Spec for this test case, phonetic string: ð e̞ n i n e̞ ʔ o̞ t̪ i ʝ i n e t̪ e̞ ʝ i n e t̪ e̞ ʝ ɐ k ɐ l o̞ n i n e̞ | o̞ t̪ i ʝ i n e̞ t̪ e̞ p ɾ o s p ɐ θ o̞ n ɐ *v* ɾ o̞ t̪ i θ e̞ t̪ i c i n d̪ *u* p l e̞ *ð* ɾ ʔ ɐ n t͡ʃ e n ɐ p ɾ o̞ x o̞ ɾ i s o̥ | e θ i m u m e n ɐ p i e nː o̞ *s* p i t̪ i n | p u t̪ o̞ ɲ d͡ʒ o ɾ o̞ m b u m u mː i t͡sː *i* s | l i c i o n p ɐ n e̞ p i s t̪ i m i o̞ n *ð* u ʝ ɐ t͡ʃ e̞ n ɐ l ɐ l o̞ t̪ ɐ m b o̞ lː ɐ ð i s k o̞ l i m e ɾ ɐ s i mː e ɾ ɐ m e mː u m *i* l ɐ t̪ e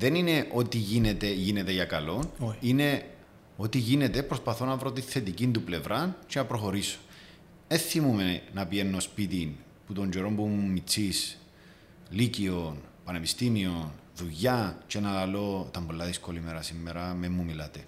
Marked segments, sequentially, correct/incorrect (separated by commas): correct, correct, incorrect, correct, correct, correct, correct